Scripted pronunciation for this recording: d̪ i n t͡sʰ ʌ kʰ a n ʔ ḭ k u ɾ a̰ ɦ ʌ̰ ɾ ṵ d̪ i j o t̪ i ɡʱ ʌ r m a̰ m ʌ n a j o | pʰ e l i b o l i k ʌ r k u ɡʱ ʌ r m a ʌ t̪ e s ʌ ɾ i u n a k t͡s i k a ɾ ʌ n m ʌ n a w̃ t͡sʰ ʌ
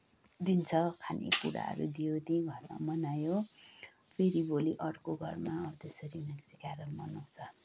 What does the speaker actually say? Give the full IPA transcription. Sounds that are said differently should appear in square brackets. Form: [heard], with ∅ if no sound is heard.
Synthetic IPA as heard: d̪ i n t͡sʰ ʌ kʰ a n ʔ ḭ k u ɾ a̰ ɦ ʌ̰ ɾ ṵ d̪ i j o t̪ i ɡʱ ʌ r m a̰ m ʌ n a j o | pʰ e [ɾ] i b o l i [ʔ] ʌ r k [o] ɡʱ ʌ r m a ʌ t̪ e s ʌ ɾ i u n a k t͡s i k a ɾ ʌ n m ʌ n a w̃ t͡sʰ ʌ